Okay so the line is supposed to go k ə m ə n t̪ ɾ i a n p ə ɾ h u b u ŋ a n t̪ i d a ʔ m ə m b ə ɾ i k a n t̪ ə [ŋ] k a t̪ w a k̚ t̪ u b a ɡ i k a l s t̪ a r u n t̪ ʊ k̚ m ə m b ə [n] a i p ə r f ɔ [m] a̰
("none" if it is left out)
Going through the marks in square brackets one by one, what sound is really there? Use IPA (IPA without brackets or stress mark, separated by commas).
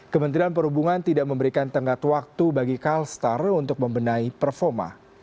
ŋ, n, m